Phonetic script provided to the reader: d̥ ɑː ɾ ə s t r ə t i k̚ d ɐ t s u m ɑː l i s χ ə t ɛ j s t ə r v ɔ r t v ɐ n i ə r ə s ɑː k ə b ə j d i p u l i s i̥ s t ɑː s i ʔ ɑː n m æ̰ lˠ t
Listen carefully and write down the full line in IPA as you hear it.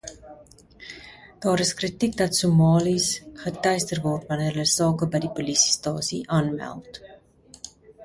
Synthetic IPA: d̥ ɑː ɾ ə s k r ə t i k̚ d ɐ t s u m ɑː l i s χ ə t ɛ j s t ə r v ɔ r t v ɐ n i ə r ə s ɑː k ə b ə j d i p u l i s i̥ s t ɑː s i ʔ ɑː n m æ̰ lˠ t